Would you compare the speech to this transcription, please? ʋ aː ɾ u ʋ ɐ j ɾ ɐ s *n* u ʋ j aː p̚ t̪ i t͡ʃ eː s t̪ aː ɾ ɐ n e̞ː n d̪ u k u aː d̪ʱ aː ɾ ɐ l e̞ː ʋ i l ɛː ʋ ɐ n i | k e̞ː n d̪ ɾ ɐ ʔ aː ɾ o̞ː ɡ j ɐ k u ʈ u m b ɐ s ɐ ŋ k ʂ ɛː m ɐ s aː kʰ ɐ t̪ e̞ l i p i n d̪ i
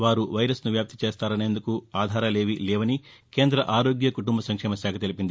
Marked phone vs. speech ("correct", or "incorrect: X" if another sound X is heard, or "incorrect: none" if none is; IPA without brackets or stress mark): correct